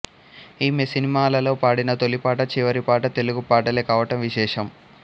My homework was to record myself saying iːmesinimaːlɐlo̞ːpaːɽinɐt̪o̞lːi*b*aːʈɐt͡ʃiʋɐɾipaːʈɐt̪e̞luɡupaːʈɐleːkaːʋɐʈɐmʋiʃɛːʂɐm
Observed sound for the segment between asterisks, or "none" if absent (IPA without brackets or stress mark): p